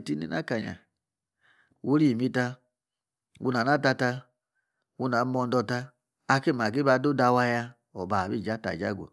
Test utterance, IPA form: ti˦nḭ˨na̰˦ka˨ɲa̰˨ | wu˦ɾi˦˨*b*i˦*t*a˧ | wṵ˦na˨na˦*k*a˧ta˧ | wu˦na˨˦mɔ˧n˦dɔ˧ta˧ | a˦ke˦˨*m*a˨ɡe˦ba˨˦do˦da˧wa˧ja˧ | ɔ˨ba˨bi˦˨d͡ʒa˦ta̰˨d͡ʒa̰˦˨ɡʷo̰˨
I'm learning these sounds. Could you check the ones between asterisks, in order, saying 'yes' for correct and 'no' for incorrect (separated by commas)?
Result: no, yes, no, yes